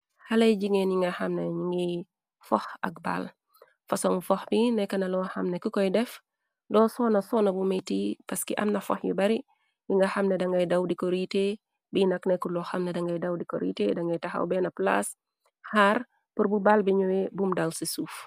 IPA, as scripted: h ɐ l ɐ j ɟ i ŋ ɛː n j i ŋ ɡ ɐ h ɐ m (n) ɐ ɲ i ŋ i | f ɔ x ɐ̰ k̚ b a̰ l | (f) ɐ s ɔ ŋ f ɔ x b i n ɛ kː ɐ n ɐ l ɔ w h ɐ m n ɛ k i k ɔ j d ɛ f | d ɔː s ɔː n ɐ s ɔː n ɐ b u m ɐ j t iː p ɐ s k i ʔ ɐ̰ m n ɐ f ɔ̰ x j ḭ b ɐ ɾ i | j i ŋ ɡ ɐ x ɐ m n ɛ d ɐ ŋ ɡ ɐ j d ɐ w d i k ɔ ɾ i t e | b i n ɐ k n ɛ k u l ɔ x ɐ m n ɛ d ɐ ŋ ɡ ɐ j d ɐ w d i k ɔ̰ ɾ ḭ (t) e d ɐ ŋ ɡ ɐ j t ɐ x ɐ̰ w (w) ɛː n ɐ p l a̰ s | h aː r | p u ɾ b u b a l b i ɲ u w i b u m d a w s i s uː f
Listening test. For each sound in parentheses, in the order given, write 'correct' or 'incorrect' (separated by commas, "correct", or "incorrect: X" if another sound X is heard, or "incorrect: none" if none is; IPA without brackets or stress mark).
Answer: correct, correct, correct, incorrect: b